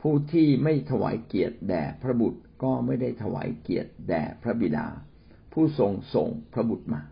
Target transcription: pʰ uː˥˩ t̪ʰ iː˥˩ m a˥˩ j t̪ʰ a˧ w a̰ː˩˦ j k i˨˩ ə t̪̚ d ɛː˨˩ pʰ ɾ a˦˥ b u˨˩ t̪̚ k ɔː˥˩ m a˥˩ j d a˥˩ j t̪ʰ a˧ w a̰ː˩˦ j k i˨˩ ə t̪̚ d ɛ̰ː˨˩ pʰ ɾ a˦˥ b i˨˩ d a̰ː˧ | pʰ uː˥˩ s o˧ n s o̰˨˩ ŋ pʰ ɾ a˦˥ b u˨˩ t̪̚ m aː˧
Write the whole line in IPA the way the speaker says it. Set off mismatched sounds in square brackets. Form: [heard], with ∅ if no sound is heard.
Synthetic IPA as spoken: pʰ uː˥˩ t̪ʰ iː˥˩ m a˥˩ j t̪ʰ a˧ w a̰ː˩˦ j k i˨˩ ə t̪̚ d ɛː˨˩ pʰ ɾ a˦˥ b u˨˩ t̪̚ k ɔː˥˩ m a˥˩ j d a˥˩ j t̪ʰ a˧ w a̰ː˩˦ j k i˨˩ ə t̪̚ d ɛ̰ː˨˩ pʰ ɾ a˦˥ b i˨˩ d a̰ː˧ | pʰ uː˥˩ s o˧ [ŋ] s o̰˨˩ ŋ pʰ ɾ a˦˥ b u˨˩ t̪̚ m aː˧